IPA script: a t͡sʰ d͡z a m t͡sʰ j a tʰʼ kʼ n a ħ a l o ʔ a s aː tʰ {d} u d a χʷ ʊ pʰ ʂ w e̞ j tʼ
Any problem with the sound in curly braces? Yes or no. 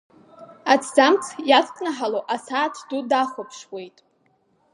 no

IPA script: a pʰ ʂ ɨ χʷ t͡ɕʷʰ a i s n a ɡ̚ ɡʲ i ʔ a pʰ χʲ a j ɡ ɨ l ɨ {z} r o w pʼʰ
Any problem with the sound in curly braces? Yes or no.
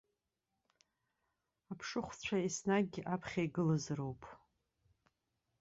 no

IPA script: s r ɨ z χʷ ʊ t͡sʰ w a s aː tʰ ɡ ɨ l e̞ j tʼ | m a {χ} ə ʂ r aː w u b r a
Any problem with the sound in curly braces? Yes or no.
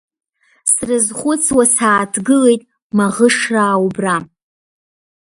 yes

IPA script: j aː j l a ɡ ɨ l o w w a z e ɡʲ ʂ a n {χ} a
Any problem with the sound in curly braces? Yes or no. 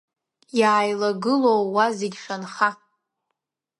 no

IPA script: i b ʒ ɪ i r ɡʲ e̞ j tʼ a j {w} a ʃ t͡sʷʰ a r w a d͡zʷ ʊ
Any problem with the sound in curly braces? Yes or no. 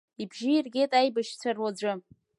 yes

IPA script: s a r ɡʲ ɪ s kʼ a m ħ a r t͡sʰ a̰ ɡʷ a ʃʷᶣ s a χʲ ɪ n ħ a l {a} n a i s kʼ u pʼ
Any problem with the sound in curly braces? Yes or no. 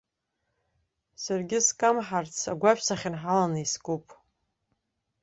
no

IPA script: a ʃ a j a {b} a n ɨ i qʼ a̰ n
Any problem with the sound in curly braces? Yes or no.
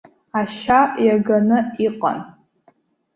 yes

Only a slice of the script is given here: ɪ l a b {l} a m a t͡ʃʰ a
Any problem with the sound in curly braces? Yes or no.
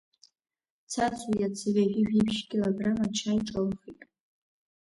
yes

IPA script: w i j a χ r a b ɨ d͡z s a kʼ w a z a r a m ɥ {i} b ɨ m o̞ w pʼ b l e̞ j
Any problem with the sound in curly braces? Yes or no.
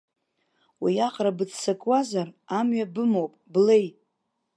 yes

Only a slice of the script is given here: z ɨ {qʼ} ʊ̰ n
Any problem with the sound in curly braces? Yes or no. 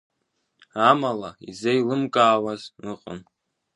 no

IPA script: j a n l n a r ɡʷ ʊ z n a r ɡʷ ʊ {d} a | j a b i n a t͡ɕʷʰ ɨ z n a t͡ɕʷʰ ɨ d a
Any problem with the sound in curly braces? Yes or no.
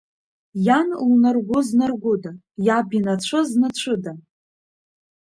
no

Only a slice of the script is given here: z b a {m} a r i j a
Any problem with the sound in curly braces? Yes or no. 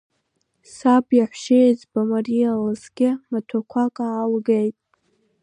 no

